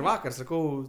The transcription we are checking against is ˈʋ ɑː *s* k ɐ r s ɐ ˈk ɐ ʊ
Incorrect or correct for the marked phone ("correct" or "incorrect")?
incorrect